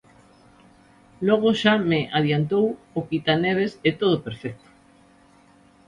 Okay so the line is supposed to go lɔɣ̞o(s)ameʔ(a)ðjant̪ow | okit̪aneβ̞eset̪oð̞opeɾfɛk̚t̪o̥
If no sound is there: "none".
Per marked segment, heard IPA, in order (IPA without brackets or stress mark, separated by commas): ʃ, a